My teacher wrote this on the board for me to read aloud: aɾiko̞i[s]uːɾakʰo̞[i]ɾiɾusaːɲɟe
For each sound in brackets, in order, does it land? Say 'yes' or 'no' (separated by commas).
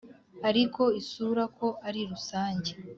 yes, no